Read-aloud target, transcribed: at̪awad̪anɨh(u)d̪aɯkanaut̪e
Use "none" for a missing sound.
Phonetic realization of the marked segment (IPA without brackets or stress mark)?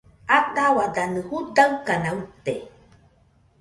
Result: u